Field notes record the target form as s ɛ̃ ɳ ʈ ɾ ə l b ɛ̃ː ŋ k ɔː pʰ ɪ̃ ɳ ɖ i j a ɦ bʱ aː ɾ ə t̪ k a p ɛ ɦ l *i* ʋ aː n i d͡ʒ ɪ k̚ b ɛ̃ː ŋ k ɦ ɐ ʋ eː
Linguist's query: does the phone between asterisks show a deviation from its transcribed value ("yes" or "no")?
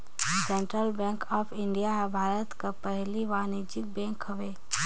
no